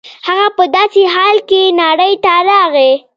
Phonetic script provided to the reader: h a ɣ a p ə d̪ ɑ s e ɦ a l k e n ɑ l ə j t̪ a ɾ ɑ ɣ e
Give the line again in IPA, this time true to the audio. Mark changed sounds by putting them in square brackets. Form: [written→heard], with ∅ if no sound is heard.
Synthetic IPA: h a ɣ a p ə d̪ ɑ s e ɦ [a→ɑ] l k e n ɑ [l→ɽ] ə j t̪ a ɾ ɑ ɣ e